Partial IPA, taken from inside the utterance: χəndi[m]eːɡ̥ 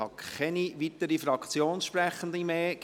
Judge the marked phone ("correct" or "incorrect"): correct